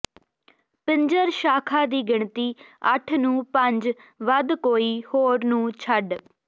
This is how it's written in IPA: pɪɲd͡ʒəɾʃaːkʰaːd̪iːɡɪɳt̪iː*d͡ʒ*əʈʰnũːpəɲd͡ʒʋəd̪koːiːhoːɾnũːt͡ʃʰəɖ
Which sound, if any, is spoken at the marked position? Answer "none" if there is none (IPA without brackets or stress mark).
none